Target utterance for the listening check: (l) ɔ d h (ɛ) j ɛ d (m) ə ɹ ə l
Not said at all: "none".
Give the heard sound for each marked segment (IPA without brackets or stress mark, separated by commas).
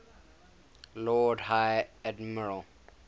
l, a, m